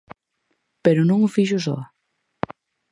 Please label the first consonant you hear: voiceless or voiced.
voiceless